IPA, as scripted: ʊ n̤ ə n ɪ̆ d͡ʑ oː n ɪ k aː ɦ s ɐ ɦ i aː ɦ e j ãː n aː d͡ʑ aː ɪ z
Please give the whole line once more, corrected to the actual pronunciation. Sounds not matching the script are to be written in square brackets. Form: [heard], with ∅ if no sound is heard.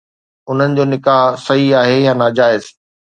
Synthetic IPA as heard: ʊ n̤ ə n ɪ̆ d͡ʑ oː n ɪ k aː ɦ s ɐ ɦ i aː ɦ e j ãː n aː d͡ʑ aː ɪ z